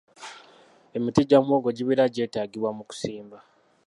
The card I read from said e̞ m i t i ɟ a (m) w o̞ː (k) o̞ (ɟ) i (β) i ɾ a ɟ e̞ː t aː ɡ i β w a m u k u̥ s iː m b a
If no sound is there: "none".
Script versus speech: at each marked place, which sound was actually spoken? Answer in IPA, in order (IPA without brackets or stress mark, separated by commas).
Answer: m, ɡ, ɟ, β